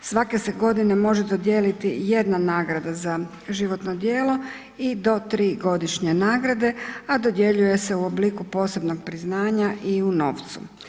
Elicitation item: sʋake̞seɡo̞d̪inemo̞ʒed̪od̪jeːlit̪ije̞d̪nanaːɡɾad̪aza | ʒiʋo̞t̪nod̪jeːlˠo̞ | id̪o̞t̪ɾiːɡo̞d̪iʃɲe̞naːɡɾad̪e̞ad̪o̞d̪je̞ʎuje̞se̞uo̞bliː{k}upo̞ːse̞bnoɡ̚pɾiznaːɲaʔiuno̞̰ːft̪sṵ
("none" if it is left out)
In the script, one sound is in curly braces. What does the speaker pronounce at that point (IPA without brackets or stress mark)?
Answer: k